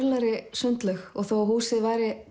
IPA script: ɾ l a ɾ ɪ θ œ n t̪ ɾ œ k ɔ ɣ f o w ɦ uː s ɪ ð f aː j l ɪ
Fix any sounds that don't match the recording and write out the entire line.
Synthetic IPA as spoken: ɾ l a ɾ ɪ s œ n t̪ l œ x ɔ ɣ θ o w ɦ uː s ɪ ð v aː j ɾ ɪ